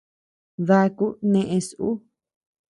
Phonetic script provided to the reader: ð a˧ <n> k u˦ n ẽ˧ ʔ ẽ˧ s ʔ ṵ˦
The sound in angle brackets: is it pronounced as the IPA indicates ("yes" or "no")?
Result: no